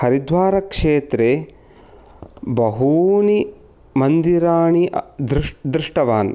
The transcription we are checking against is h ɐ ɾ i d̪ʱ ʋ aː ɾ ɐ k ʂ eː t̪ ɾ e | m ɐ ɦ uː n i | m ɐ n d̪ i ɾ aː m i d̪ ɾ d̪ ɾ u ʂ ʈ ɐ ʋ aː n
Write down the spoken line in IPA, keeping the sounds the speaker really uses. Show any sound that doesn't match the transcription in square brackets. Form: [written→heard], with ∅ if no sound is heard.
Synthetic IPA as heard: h ɐ ɾ i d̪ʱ ʋ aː ɾ ɐ k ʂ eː t̪ ɾ e | [m→b] ɐ ɦ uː n i | m ɐ n d̪ i ɾ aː [m→ɳ] i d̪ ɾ d̪ ɾ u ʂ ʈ ɐ ʋ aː n